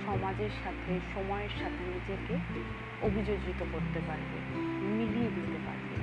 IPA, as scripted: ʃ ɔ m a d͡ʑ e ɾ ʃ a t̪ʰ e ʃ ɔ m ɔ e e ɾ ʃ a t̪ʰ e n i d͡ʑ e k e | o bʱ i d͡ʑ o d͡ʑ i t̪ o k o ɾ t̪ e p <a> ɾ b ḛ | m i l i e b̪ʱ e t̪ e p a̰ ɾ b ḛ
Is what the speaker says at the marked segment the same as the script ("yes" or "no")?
yes